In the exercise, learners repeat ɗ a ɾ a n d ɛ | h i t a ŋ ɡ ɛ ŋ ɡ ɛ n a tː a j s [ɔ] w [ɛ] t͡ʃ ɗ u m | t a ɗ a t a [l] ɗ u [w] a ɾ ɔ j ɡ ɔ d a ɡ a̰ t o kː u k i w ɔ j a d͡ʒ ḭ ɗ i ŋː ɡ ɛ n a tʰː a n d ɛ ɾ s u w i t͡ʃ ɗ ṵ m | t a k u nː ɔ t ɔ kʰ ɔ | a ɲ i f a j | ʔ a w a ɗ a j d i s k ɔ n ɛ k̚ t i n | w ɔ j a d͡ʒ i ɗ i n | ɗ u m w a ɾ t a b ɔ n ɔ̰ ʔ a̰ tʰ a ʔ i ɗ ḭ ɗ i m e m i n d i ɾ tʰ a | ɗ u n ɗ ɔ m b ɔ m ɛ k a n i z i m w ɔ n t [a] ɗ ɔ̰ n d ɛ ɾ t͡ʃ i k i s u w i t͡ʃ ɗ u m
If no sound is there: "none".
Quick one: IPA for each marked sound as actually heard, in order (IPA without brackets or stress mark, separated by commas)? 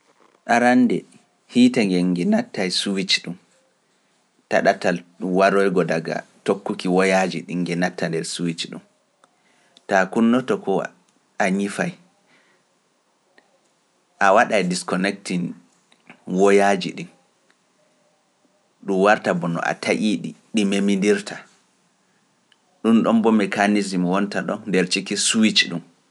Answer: u, i, l, w, a